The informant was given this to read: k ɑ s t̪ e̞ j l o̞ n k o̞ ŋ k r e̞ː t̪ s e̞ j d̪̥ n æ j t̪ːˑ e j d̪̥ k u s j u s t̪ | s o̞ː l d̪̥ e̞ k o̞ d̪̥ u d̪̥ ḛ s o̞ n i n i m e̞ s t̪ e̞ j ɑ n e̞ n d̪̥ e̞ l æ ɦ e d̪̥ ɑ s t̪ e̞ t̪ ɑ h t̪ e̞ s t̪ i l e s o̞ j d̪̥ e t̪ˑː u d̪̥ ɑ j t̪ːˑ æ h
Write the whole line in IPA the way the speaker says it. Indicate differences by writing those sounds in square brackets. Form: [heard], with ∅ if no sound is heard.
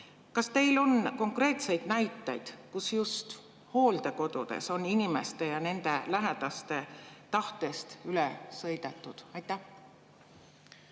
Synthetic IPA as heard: k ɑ s t̪ e̞ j l o̞ n k o̞ ŋ k r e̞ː t̪ s e̞ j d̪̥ n æ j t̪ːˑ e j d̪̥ k u s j u s t̪ | [h] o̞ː l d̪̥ e̞ k o̞ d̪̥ u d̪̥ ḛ s o̞ n i n i m e̞ s t̪ e̞ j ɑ n e̞ n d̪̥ e̞ l æ ɦ e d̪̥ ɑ s t̪ e̞ t̪ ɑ h t̪ e̞ s t̪ [y] l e s [ɤ̞] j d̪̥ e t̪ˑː u d̪̥ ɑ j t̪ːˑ æ h

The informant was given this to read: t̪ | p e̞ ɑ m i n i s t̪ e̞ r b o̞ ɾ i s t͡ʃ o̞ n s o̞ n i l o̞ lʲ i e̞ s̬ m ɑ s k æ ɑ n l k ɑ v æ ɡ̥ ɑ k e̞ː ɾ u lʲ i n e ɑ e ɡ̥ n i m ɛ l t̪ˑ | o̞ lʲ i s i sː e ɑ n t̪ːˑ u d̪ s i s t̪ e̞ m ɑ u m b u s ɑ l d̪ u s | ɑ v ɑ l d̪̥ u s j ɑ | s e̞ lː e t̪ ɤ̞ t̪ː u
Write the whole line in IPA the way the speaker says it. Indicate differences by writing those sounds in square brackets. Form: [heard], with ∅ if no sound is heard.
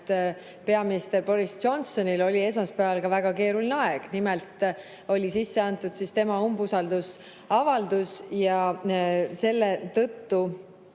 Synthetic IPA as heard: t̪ | p e̞ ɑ m i n i s t̪ e̞ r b o̞ ɾ i s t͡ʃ o̞ n s o̞ n i l o̞ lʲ i e̞ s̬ m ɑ s [p] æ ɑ [∅] l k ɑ v æ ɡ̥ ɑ k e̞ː ɾ u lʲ i n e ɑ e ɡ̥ n i m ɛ l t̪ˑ | o̞ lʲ i s i sː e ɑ n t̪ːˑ u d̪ s i s t̪ e̞ m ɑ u m b u s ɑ l d̪ u s | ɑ v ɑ l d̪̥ u s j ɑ | s e̞ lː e t̪ ɤ̞ t̪ː u

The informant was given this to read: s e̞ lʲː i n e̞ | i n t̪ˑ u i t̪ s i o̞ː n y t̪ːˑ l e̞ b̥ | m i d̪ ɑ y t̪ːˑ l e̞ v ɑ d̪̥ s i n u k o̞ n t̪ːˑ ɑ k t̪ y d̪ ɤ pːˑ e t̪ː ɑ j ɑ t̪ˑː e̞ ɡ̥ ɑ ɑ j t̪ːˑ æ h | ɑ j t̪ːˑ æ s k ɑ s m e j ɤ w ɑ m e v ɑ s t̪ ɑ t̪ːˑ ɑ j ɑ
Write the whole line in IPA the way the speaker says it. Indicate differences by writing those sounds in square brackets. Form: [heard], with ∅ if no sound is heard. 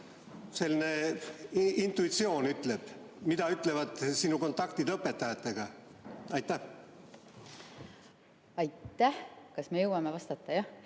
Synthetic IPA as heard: s e̞ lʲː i n e̞ | i n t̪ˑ u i t̪ s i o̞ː n y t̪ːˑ l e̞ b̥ | m i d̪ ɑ y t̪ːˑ l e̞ v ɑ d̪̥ s i n u k o̞ n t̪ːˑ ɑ k t̪ [i] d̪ ɤ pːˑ e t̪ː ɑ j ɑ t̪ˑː e̞ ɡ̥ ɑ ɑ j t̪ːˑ æ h | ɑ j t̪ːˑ æ [h] k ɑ s m e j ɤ w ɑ m e v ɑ s t̪ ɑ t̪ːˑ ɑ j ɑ

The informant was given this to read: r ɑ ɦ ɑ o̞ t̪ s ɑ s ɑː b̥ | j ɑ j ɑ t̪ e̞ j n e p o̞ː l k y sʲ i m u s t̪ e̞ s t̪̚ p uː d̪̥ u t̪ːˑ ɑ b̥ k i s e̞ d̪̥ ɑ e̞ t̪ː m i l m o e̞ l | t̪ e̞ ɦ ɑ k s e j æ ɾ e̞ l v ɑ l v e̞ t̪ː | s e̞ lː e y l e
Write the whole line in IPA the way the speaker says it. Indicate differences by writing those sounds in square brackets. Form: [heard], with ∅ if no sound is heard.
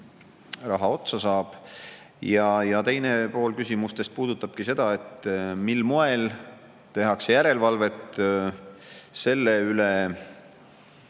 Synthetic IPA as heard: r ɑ ɦ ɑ o̞ t̪ s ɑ s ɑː b̥ | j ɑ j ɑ t̪ e̞ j n e p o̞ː l k y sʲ i m u s t̪ e̞ s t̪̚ p uː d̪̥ u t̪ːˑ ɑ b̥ k i s e̞ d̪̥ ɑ e̞ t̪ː m i l m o e̞ l | t̪ e̞ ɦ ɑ k s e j æ ɾ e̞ l v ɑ l v e̞ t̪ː | s e̞ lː e y l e

